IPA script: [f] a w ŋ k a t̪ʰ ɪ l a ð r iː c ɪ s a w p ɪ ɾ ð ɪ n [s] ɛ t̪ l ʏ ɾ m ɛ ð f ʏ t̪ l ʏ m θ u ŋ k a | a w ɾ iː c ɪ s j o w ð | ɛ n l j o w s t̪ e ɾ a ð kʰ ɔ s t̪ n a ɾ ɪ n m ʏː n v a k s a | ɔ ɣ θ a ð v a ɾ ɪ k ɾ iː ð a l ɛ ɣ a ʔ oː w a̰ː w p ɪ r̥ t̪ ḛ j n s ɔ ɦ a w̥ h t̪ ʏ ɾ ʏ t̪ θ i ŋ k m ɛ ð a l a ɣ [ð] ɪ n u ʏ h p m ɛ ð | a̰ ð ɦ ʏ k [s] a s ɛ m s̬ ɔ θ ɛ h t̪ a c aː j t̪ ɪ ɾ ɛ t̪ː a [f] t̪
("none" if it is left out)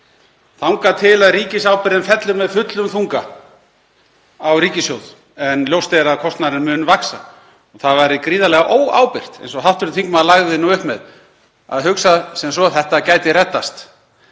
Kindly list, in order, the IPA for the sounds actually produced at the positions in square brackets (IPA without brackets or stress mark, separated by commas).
θ, f, ð, s, s